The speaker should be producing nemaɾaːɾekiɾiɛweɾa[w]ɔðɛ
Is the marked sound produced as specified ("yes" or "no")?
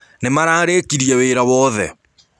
yes